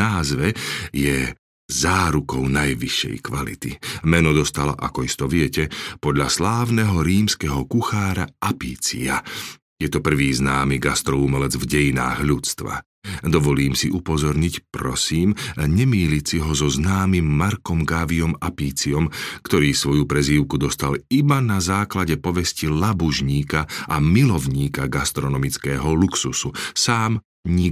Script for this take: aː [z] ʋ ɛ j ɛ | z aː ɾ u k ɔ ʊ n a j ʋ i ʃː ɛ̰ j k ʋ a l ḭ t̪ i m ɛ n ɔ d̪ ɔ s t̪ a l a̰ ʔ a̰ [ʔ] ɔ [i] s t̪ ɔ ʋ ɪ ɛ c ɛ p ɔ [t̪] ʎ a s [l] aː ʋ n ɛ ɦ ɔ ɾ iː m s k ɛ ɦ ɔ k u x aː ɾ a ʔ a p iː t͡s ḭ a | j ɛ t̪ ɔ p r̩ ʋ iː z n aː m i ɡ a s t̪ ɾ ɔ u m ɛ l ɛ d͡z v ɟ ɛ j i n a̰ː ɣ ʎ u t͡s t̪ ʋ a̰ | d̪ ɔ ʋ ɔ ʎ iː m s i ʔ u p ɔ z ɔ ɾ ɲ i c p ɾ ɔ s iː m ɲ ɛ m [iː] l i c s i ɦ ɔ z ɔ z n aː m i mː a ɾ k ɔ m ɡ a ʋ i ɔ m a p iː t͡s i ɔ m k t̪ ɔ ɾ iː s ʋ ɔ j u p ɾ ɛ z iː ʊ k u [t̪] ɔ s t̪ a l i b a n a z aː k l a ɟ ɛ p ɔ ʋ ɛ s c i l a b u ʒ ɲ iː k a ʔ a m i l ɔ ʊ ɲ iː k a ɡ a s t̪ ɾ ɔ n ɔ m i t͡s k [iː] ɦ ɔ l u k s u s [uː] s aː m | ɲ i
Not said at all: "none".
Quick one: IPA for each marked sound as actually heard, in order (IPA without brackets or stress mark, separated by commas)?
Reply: z, k, i, d̪, l, iː, d̪, ɛː, u